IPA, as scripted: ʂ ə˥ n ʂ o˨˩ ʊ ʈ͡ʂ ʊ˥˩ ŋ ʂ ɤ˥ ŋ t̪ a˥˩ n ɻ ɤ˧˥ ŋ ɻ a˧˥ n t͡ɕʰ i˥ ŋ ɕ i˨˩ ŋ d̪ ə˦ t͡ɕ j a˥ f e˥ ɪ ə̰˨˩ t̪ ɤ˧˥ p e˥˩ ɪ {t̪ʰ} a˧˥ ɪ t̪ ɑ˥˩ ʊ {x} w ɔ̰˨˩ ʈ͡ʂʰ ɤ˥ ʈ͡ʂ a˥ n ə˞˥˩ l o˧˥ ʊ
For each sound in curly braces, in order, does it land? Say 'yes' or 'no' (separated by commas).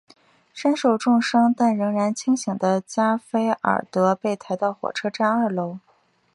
yes, yes